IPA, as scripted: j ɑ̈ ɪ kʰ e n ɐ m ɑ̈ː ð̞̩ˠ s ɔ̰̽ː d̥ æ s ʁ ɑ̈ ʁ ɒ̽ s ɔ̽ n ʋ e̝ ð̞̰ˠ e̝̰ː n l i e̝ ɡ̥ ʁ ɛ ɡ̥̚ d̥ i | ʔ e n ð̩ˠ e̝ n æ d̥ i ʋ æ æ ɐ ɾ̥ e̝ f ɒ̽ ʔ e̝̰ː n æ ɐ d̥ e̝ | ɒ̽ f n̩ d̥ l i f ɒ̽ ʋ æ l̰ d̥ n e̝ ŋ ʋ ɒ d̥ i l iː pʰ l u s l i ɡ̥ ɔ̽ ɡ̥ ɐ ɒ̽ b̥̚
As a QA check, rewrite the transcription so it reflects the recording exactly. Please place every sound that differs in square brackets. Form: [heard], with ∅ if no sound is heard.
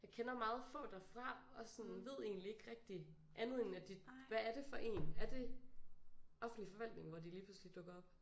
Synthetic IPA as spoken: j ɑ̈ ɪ kʰ e n ɐ m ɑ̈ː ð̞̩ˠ [f] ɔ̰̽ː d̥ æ [f] ʁ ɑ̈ [∅] ɒ̽ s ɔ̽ n ʋ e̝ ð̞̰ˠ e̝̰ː n l i e̝ ɡ̥ ʁ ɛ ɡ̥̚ d̥ i | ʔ [æ] n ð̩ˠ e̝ n æ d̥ i ʋ æ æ ɐ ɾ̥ e̝ f ɒ̽ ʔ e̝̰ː n æ ɐ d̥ e̝ | ɒ̽ f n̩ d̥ l i f ɒ̽ ʋ æ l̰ d̥ n e̝ ŋ ʋ ɒ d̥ i l iː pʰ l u s l i [d̥] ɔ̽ ɡ̥ ɐ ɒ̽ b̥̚